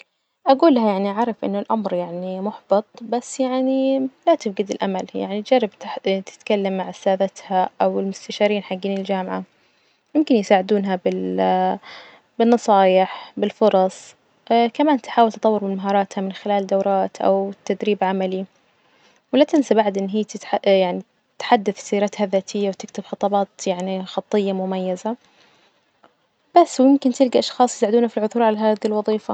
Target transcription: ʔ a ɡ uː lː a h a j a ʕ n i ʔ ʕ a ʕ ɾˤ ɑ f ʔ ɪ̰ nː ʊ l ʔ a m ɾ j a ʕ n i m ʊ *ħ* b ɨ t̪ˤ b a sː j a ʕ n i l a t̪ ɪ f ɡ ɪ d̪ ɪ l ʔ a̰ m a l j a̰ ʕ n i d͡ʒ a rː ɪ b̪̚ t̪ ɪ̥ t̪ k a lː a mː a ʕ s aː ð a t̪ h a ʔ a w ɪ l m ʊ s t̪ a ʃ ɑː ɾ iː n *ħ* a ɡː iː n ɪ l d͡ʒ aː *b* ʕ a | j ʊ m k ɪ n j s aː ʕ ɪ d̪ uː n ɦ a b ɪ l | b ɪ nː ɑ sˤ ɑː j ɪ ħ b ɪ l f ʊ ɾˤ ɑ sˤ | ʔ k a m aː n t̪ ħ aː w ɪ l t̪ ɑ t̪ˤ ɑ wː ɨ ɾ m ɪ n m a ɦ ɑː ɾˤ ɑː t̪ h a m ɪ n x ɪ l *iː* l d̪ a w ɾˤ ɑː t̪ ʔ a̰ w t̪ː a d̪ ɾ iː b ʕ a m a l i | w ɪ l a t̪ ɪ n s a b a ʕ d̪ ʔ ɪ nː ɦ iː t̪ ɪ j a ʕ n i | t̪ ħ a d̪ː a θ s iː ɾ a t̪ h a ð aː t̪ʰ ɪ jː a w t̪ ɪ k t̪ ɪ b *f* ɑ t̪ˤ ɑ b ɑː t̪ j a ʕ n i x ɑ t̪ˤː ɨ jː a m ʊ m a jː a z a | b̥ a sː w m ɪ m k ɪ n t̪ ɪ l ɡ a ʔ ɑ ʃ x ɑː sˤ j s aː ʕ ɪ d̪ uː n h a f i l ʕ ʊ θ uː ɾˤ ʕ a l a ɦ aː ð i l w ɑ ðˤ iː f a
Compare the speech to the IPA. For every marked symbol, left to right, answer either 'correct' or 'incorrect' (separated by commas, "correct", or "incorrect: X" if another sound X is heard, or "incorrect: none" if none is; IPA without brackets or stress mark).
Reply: correct, correct, incorrect: m, incorrect: aː, incorrect: x